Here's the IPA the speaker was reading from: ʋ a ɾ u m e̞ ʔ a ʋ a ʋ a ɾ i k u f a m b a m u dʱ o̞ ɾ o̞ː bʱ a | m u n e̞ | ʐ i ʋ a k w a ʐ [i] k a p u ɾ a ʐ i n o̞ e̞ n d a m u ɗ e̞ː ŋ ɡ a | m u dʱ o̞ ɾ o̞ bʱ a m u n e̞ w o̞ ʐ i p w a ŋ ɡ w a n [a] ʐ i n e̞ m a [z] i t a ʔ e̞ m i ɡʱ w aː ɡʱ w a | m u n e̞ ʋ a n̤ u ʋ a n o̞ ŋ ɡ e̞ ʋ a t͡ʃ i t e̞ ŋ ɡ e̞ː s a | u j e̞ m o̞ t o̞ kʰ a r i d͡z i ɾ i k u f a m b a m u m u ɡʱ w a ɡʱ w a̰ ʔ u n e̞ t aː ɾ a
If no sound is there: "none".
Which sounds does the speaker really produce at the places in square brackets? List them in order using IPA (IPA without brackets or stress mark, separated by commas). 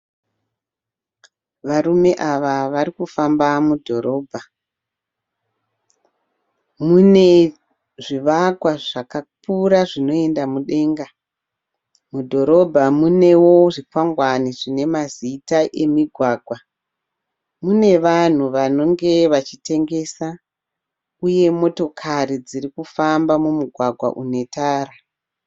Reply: a, i, z